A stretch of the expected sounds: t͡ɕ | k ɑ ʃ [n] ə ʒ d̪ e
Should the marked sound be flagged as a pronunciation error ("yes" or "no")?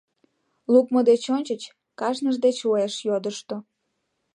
no